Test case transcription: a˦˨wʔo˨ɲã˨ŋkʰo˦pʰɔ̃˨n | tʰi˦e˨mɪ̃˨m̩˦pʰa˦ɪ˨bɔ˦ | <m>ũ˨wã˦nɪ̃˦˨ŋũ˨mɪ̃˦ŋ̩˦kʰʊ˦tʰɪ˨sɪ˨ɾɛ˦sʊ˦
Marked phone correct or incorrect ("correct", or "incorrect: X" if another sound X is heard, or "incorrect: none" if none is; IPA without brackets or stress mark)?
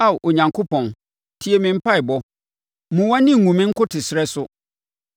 correct